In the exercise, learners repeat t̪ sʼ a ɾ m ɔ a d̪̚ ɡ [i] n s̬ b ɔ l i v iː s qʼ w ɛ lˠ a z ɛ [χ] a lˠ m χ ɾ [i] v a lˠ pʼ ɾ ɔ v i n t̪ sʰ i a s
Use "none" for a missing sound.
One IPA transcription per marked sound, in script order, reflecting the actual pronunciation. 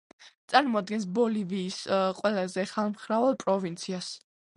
ɛ, χ, a

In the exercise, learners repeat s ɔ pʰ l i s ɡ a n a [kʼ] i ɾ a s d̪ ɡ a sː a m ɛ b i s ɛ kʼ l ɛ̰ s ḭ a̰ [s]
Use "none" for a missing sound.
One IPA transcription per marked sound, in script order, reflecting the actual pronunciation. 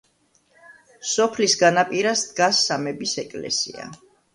pʼ, none

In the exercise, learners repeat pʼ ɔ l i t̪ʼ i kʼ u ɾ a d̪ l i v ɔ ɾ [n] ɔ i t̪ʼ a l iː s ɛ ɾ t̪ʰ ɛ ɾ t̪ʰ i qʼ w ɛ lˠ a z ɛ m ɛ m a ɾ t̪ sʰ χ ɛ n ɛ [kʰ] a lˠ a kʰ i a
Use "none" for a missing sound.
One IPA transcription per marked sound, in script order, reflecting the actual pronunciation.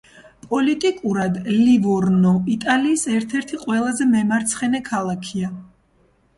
n, kʰ

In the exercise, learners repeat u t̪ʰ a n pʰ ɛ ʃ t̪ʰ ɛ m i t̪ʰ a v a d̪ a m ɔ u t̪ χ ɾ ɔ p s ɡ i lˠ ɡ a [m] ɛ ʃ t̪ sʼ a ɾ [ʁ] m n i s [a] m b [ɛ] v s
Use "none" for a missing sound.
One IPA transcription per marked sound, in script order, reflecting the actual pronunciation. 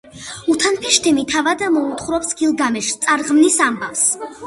m, ʁ, a, a

